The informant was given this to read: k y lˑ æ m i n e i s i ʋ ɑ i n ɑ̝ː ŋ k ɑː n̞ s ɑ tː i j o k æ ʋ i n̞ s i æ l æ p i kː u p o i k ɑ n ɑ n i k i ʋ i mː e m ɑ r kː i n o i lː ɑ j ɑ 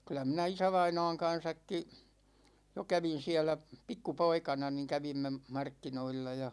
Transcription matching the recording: k y lˑ æ m i n æ i s æ ʋ ɑ i n ɑ̝ː ŋ k ɑ n̞ s ɑ kː i j o k æ ʋ i n̞ s i æ l æ p i kː u p o i k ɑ n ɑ n i k æ ʋ i mː e m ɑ r kː i n o i lː ɑ j ɑ